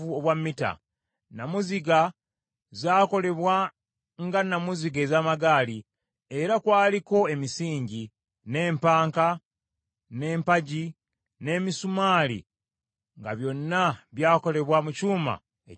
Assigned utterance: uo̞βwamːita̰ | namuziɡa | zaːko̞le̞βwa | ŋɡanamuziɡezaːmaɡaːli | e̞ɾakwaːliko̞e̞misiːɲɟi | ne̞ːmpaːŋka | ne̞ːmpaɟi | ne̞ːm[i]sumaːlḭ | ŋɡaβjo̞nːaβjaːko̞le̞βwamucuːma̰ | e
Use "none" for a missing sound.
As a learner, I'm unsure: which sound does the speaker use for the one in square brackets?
i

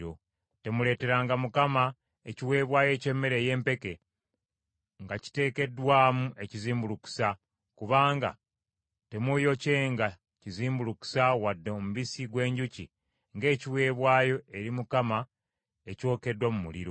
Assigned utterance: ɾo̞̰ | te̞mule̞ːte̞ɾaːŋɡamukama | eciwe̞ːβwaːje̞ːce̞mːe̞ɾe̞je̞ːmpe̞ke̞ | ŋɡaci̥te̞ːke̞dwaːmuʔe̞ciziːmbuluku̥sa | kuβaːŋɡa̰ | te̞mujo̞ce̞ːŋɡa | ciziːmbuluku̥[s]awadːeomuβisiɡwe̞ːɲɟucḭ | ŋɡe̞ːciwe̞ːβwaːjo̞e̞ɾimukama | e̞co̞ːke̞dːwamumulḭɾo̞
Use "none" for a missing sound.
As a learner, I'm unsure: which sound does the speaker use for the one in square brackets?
s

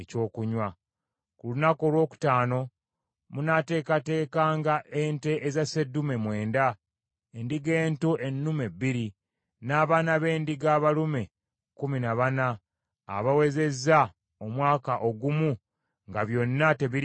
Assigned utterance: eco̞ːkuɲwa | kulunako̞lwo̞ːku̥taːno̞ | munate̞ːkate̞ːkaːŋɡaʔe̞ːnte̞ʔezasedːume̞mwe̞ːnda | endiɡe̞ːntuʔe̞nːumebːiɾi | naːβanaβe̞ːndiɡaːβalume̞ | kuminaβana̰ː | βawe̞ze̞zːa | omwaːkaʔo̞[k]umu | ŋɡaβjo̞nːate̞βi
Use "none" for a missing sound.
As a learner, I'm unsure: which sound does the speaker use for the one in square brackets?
ɡ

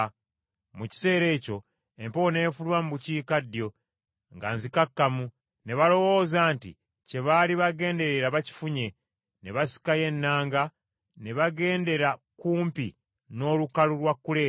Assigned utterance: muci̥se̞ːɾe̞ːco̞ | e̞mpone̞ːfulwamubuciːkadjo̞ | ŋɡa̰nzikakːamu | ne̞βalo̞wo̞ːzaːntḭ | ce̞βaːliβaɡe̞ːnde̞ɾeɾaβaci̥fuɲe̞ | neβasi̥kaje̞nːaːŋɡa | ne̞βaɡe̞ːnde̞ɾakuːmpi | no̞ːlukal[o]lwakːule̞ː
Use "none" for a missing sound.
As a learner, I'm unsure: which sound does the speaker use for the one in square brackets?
u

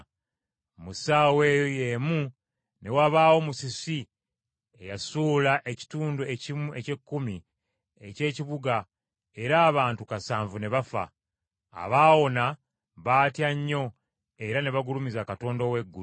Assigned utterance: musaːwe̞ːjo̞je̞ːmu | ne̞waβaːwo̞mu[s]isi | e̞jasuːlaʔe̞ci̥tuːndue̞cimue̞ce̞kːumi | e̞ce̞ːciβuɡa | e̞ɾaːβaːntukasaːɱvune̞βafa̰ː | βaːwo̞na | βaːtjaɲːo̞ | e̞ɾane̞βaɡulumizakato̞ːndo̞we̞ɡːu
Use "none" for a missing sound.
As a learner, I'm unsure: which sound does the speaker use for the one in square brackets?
s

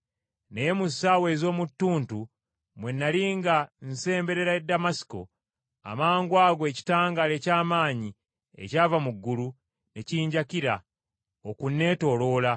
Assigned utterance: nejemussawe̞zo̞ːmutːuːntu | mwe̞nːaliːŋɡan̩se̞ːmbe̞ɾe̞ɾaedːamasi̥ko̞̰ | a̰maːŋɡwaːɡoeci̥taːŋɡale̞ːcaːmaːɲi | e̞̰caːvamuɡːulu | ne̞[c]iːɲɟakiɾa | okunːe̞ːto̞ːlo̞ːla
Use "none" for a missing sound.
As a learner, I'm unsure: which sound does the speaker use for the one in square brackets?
c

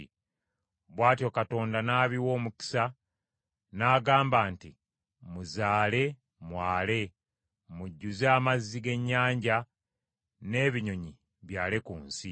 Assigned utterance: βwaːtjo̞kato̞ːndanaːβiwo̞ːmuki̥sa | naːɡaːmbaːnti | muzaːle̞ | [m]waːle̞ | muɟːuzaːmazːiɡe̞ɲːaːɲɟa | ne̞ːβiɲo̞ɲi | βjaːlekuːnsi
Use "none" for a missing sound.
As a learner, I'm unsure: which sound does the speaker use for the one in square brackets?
m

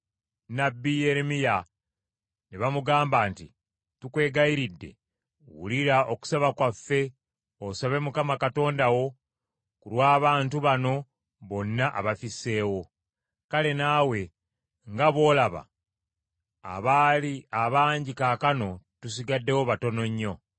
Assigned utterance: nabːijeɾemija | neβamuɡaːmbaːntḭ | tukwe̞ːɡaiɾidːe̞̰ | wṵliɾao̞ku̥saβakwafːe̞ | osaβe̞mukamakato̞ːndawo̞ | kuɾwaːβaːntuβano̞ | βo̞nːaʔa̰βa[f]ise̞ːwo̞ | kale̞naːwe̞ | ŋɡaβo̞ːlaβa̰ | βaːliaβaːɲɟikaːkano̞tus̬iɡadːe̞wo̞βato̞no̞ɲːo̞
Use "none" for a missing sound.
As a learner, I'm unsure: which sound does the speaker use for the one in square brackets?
f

